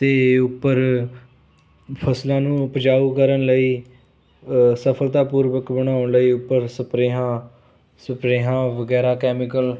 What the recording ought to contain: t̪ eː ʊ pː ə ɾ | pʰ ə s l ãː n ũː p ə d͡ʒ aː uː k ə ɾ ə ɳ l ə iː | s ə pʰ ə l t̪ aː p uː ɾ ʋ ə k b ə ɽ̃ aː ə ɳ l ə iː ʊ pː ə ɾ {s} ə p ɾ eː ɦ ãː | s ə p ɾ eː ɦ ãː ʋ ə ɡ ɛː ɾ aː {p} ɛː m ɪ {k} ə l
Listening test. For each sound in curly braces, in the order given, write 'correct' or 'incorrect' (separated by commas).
correct, incorrect, correct